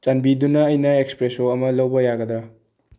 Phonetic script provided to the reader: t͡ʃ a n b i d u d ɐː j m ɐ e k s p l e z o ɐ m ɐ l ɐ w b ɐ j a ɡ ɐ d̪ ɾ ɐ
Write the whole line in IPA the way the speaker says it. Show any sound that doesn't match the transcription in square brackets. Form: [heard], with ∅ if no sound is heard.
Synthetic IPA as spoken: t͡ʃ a n b i d u [n] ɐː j [n] ɐ e k s p [ɾ] e [s] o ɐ m ɐ l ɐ w b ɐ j a ɡ ɐ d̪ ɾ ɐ